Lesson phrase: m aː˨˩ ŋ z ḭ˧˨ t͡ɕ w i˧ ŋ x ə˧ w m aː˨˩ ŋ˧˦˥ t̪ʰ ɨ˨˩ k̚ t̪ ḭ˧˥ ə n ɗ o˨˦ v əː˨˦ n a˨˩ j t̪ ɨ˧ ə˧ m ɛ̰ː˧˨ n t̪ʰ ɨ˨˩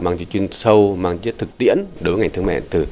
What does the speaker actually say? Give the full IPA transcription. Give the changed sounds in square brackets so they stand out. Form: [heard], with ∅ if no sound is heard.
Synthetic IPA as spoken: m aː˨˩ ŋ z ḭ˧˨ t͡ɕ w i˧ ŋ [s] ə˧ w m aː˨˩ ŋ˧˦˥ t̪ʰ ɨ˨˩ k̚ t̪ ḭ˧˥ ə n ɗ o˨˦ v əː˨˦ [ŋ] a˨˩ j t̪ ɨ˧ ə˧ m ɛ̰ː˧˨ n [t̪] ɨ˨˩

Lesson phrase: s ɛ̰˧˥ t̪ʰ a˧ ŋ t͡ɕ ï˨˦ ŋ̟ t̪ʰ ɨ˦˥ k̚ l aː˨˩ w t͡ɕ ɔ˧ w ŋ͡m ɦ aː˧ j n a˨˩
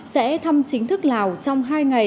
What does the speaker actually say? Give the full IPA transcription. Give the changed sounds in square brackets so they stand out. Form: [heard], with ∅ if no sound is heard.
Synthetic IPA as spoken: s ɛ̰˧˥ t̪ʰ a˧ [m] t͡ɕ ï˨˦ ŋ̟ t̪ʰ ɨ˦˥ k̚ l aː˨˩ w t͡ɕ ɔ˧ w ŋ͡m ɦ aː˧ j [ŋ] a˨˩

